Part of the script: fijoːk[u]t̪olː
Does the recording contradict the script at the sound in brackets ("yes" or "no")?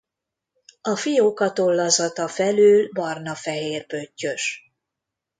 yes